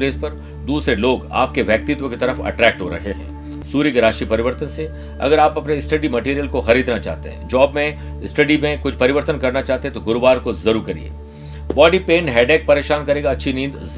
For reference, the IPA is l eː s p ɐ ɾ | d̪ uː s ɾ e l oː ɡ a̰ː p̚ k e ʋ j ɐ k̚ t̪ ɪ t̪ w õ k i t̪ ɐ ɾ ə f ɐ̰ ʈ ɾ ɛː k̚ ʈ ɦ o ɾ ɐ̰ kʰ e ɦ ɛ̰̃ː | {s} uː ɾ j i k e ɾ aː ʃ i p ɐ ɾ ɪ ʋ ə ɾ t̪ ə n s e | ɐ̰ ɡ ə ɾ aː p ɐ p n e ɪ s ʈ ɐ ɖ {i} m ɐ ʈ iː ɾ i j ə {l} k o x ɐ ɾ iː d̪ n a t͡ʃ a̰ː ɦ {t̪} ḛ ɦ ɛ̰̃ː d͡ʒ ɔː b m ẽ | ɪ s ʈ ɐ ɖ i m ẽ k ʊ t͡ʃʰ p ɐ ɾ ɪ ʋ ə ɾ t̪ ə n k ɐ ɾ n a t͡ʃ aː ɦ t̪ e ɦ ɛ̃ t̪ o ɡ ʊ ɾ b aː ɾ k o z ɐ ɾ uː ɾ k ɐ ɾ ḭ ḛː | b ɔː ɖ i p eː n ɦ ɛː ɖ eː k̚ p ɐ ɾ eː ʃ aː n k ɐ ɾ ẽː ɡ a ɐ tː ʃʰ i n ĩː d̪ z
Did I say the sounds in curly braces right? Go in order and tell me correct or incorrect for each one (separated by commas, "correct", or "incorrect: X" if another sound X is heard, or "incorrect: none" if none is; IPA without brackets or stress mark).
correct, correct, correct, correct